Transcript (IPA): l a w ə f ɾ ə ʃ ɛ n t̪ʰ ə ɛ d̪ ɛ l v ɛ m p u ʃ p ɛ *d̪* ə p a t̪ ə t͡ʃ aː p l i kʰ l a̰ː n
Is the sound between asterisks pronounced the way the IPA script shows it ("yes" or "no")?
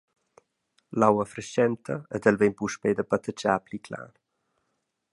yes